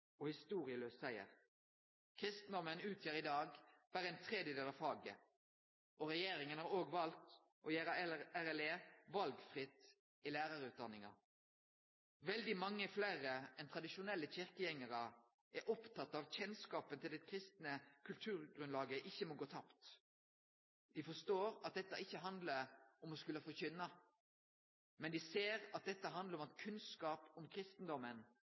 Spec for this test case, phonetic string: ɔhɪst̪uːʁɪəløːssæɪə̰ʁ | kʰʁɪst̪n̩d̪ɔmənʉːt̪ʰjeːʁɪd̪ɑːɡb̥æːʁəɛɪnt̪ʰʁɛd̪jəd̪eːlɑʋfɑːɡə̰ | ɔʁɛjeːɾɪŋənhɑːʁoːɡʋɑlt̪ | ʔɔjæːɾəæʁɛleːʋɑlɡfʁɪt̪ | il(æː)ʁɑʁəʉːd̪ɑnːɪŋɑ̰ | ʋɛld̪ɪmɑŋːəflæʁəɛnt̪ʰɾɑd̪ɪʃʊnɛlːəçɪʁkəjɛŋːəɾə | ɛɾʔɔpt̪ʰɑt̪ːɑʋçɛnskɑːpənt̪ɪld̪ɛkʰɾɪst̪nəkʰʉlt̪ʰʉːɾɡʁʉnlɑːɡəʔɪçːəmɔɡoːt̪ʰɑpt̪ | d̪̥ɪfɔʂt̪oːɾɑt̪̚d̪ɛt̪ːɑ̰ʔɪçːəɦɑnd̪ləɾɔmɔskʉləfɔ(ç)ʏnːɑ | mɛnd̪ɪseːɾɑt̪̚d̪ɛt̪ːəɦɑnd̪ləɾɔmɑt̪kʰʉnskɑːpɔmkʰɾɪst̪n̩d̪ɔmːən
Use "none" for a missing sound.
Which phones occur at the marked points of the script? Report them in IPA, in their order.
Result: æː, ç

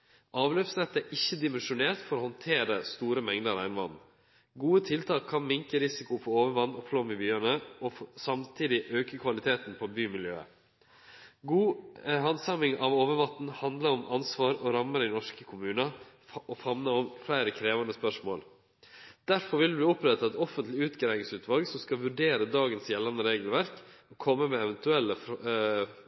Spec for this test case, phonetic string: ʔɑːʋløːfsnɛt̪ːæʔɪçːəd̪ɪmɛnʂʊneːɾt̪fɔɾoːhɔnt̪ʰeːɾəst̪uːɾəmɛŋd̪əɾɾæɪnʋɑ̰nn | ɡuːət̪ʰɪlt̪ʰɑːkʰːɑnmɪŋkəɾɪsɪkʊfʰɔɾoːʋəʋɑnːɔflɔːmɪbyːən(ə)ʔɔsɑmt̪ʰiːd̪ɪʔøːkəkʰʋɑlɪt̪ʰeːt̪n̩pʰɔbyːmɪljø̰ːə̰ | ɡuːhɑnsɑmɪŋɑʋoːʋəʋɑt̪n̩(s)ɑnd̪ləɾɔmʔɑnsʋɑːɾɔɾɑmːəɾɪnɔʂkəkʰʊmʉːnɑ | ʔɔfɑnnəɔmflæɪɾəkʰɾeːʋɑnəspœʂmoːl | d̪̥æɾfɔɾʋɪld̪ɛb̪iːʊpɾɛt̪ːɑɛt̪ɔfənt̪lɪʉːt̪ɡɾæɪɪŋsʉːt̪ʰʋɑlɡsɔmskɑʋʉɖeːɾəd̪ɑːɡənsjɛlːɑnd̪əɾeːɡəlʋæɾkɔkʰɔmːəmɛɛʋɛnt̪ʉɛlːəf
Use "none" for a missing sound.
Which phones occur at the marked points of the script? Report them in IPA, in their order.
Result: ə, h

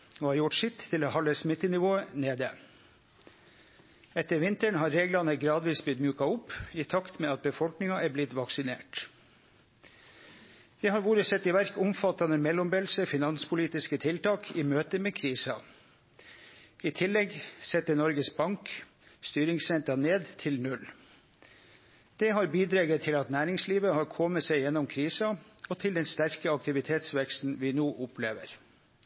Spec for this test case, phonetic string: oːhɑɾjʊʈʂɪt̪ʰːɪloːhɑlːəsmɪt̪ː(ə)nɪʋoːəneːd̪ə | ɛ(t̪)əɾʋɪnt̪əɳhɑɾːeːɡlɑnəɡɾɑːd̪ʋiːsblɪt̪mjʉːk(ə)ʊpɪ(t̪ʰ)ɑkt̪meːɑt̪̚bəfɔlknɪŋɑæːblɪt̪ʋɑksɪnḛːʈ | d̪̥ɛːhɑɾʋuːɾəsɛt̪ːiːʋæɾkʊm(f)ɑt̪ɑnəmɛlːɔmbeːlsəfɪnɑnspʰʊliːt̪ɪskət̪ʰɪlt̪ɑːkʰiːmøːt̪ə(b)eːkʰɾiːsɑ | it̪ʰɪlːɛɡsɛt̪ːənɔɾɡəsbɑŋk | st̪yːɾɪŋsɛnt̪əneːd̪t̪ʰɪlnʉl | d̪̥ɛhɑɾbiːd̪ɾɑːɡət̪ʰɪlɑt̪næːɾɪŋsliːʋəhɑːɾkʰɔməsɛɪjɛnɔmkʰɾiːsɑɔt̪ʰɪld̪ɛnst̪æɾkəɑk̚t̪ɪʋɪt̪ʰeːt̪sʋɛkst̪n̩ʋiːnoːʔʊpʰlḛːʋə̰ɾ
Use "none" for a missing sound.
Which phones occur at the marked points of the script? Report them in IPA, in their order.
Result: ə, t̪, ɑ, t̪ʰ, f, m

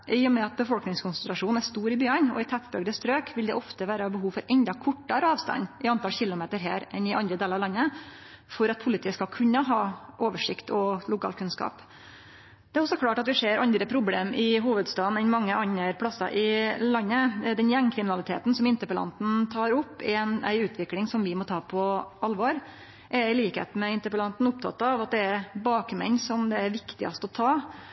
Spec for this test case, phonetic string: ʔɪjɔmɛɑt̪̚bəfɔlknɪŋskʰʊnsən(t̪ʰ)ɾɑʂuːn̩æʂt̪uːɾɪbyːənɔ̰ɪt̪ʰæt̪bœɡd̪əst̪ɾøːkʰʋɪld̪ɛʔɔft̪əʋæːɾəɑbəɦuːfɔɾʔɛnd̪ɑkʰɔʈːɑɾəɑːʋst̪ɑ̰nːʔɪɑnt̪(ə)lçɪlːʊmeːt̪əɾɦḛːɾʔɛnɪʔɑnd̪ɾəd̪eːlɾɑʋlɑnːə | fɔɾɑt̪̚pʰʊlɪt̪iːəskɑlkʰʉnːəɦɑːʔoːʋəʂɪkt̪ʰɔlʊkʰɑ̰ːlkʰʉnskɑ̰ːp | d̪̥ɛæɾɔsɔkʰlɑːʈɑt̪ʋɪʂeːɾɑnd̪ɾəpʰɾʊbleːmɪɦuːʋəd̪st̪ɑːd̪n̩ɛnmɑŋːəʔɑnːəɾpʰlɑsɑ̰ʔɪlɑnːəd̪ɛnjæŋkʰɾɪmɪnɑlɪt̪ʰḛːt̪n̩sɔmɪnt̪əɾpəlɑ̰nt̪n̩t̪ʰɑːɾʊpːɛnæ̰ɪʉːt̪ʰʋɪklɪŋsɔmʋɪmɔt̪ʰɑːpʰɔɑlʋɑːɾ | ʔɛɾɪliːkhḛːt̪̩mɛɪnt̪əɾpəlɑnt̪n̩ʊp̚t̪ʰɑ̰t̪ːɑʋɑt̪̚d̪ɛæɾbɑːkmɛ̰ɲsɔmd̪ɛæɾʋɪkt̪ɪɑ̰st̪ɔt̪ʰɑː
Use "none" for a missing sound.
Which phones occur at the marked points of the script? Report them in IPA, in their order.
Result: t̪, ɑ

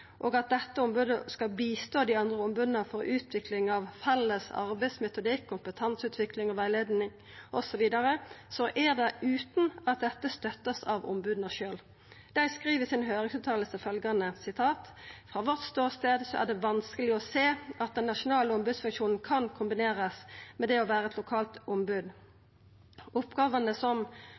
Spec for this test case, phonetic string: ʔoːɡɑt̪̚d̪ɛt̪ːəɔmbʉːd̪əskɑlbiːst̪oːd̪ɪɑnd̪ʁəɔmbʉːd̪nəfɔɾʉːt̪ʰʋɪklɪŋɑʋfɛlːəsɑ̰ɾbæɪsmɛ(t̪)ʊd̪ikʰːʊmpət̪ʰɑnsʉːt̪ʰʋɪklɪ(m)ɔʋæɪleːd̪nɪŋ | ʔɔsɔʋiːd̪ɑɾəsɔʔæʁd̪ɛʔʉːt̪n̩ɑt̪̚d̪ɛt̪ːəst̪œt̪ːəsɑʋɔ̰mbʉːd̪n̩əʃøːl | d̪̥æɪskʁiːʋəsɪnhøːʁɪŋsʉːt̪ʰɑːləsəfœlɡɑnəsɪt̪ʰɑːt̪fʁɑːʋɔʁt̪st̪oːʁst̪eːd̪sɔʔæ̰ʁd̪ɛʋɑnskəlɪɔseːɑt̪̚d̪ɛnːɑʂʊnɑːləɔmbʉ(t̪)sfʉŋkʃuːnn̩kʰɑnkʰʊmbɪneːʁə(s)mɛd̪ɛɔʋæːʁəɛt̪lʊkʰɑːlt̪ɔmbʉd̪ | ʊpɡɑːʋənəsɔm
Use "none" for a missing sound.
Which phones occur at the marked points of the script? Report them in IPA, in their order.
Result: t̪, ŋ, d̪, s

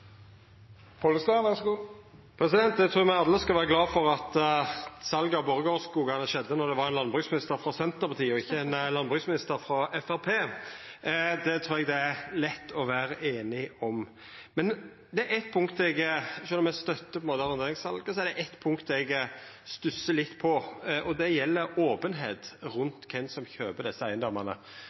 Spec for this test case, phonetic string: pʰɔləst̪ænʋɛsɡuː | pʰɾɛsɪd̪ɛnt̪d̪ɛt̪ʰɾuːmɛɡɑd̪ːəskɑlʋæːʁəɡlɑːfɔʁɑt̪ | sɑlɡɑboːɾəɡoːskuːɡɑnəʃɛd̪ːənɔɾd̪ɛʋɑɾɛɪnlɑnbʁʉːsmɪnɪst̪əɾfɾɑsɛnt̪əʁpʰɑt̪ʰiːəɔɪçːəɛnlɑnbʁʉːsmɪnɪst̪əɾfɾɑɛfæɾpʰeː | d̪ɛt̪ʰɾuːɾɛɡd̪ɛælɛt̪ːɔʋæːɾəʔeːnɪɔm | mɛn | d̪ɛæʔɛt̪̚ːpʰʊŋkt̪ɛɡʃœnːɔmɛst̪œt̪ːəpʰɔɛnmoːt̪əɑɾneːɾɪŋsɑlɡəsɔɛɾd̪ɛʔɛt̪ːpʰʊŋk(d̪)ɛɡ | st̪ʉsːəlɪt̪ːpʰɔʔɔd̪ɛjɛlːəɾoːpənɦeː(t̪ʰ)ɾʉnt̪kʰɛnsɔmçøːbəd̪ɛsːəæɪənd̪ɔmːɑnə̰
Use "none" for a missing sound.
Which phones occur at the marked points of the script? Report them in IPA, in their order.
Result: t̪, t̪

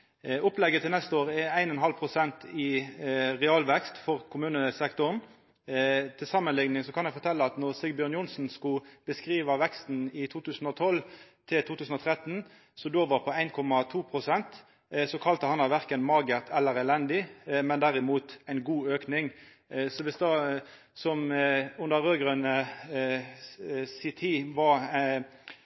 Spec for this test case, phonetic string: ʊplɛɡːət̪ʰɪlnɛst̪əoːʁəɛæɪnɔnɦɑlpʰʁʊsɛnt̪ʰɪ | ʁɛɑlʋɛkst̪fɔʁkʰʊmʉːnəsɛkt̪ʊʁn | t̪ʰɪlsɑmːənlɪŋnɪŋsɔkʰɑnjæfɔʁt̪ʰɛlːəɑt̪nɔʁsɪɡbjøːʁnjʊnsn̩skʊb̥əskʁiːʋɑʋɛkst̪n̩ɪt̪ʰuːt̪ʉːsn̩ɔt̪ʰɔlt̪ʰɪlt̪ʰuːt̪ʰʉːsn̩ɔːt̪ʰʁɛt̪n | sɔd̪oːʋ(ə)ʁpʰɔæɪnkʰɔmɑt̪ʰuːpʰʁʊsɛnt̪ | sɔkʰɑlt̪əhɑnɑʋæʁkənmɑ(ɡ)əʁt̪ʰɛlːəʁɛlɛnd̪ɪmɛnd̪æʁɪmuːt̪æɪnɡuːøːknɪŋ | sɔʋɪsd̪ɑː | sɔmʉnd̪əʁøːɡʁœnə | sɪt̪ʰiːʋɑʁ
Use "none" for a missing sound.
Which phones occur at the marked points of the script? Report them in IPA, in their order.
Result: ɑ, ɡ

